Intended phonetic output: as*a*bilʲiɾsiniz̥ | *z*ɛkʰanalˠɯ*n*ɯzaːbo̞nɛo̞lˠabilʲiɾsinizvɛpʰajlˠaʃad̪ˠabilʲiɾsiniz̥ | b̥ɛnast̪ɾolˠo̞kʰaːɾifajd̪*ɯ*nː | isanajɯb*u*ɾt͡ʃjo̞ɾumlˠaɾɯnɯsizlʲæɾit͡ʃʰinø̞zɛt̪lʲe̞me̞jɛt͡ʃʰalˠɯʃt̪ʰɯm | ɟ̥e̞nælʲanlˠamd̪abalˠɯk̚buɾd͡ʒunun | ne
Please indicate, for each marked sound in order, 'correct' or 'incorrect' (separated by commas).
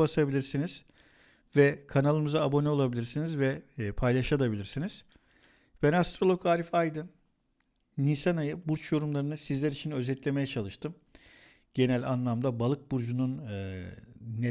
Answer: correct, incorrect, incorrect, correct, correct